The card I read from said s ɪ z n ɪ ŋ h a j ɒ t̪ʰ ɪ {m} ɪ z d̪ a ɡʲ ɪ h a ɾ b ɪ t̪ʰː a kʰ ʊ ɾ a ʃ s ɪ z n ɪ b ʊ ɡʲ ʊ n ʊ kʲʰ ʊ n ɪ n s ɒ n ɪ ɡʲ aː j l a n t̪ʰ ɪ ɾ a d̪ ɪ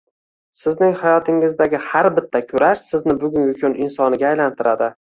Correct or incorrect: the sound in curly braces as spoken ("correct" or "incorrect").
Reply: incorrect